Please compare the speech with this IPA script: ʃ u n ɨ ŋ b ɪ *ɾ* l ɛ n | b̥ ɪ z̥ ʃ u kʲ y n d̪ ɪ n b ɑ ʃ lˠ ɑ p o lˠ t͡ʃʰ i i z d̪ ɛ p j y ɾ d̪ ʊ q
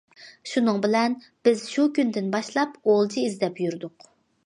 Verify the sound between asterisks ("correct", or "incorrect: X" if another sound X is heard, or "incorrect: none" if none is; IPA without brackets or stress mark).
incorrect: none